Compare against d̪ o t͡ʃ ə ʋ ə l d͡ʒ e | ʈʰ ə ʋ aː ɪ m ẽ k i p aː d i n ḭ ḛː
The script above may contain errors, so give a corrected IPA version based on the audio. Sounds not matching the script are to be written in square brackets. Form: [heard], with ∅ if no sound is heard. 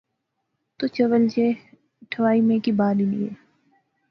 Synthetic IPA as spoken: [t̪] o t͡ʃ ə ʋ ə l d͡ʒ e | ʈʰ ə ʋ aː [i] m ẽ k i [b] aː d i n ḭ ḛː